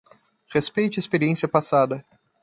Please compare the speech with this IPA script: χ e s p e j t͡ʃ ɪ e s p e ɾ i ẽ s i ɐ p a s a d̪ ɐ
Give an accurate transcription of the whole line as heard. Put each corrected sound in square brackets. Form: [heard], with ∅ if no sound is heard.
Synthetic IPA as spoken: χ e s p e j t͡ʃ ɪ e s p e ɾ i ẽ s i ɐ p a s a d̪ ɐ